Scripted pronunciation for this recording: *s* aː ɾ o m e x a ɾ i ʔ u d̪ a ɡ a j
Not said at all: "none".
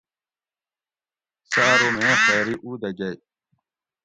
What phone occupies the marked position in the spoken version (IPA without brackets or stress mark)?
s